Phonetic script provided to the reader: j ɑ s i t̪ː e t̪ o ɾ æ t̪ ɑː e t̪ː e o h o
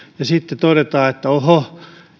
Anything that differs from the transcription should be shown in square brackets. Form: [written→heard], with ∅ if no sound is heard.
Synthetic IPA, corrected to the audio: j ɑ s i t̪ː e t̪ o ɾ [æ→e] t̪ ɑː e t̪ː [e→æ] o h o